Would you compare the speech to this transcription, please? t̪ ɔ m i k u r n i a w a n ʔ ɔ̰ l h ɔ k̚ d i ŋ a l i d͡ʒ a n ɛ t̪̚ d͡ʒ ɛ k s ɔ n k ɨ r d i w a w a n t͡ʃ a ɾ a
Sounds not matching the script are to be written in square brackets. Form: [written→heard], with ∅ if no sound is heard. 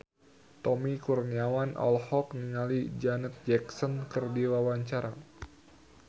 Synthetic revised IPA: t̪ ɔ m i k u r n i a w a n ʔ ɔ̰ l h ɔ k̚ [d→n] i ŋ a l i d͡ʒ a n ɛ t̪̚ d͡ʒ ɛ k s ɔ n k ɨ r d i w a w a [n→ɲ] t͡ʃ a ɾ a